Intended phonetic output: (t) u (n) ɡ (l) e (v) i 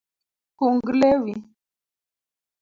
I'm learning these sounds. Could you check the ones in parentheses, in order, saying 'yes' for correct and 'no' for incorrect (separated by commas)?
no, no, yes, no